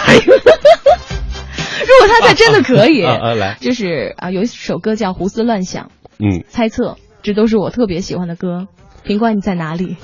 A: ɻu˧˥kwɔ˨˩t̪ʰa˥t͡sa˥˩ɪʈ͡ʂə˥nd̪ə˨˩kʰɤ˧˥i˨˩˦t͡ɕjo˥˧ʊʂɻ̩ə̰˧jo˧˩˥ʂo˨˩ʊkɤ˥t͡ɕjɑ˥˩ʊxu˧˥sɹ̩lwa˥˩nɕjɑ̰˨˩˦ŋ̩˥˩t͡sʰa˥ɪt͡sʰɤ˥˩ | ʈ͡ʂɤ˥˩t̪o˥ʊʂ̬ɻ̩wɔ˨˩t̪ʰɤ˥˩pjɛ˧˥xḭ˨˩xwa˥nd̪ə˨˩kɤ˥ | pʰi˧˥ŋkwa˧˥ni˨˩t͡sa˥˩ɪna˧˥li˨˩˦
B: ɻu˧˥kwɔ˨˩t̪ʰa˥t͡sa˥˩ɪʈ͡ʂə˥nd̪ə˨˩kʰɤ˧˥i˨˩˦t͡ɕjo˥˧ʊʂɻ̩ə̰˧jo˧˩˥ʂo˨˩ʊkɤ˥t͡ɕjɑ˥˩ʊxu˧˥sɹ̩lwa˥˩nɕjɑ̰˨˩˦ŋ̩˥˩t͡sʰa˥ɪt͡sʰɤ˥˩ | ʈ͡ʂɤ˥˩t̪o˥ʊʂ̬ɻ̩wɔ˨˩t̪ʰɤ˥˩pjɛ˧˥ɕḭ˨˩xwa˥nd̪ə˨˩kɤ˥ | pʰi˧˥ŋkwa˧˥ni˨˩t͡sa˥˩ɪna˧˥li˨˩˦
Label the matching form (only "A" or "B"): B